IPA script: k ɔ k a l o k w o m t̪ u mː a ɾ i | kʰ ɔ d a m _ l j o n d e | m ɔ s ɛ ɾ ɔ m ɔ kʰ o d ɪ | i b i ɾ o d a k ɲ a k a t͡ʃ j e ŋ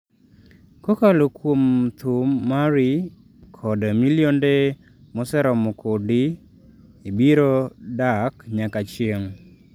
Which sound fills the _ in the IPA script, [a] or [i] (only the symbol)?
i